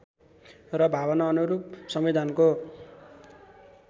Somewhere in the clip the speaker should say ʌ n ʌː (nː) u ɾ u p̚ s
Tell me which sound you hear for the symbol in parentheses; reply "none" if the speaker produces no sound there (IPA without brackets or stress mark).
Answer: n